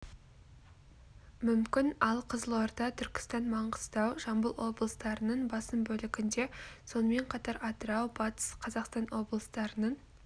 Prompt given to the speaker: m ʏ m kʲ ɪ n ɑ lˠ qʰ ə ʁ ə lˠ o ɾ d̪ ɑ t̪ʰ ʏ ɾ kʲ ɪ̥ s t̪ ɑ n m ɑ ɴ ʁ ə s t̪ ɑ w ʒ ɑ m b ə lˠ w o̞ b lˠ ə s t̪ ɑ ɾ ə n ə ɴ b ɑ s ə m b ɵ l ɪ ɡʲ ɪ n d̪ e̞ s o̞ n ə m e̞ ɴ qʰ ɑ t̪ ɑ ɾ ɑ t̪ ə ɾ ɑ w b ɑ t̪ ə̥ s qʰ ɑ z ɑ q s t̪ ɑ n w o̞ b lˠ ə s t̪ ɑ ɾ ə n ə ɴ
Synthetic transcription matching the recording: m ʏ m kʲ ɪ n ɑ lˠ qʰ ə z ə lˠ o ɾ d̪ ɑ t̪ʰ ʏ ɾ kʲ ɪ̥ s t̪ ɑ n m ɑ ɴ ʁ ə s t̪ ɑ w ʒ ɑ m b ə lˠ w o̞ b lˠ ə s t̪ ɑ ɾ ə n ə ɴ b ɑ s ə m b ɵ l ɪ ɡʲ ɪ n d̪ e̞ s o̞ n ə m e̞ ɴ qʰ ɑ t̪ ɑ ɾ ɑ t̪ ə ɾ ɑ w b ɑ t̪ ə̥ s qʰ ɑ z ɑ q s t̪ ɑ n w o̞ b lˠ ə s t̪ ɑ ɾ ə n ə ɴ